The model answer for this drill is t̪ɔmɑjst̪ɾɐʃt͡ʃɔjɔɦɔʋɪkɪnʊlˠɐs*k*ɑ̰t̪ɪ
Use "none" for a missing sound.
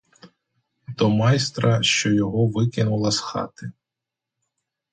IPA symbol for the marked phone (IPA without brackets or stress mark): x